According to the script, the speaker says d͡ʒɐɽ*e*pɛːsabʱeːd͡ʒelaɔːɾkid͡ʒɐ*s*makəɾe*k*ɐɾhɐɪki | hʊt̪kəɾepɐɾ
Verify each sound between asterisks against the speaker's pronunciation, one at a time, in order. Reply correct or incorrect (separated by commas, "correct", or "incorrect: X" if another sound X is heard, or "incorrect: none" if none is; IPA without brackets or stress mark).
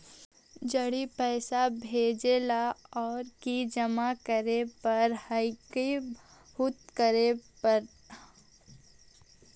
incorrect: i, incorrect: none, incorrect: p